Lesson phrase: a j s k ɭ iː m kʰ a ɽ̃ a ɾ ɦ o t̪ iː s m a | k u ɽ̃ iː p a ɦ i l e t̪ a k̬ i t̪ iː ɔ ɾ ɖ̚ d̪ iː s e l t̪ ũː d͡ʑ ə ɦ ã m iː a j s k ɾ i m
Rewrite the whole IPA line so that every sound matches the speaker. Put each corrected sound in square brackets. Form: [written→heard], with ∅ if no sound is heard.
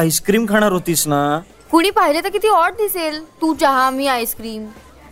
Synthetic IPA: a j s k [ɭ→ɾ] iː m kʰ a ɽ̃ a ɾ ɦ o t̪ iː s [m→n] a | k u ɽ̃ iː p a ɦ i l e t̪ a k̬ i t̪ iː ɔ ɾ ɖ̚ d̪ [iː→i] s e l t̪ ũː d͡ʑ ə ɦ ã m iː a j s k ɾ [i→iː] m